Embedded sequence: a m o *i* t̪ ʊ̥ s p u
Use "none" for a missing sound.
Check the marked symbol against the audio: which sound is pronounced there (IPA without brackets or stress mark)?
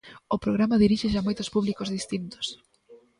j